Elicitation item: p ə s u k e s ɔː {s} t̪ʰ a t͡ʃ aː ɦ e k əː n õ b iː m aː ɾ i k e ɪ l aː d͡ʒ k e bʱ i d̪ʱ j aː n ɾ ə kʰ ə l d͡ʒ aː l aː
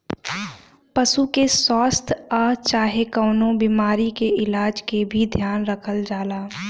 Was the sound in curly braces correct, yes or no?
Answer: yes